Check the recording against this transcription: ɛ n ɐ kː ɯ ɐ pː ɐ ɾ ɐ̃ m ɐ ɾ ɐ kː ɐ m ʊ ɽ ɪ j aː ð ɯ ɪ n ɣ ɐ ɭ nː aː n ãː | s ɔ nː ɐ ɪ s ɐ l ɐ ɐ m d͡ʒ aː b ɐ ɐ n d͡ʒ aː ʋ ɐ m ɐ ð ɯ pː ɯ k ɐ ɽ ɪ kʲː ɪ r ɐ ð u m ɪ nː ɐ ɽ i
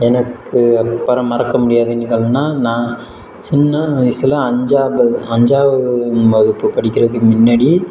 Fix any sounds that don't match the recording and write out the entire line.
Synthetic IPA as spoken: ɛ n ɐ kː ɯ ɐ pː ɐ ɾ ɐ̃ m ɐ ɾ ɐ kː ɐ m ʊ ɽ ɪ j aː ð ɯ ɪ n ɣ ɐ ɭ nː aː n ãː | s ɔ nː ɐ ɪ s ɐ l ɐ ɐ ɲ d͡ʒ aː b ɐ ɐ ɲ d͡ʒ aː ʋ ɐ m ɐ ð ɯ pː ɯ p ɐ ɽ ɪ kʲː ɪ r ɐ ð ɯ m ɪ nː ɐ ɽ i